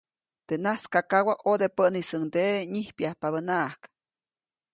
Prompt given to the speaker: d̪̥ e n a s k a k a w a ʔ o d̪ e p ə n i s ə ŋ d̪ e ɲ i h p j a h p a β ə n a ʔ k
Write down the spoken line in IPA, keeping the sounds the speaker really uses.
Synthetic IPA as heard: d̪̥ e n a s k a k a w a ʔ o d̪ e p ə n i s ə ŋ d̪ e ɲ i h p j a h p a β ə n a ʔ k